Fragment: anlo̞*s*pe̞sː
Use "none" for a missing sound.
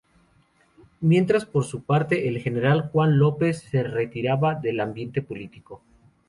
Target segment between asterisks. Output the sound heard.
none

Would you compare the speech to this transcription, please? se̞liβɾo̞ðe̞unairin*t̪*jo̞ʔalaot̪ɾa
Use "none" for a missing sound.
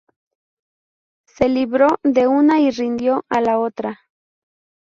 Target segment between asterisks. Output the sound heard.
d̪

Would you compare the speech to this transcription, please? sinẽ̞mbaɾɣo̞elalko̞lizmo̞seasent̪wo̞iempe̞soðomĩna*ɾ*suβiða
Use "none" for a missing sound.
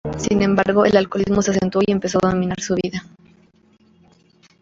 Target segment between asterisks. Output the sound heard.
ɾ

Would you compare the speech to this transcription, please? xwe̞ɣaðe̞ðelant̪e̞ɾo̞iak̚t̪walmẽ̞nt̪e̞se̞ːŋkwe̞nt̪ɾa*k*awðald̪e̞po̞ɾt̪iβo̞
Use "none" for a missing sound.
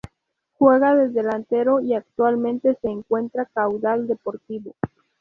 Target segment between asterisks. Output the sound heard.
k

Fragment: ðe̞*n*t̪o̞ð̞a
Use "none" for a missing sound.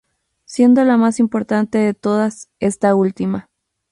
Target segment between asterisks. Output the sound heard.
none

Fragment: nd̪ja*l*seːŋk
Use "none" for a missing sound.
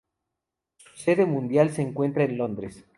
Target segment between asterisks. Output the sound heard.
l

